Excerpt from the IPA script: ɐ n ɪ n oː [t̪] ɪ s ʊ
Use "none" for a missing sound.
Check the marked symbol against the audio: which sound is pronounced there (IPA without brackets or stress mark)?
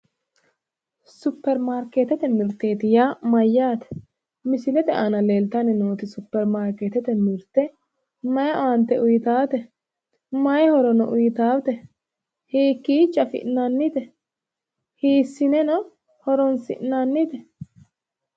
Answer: t̪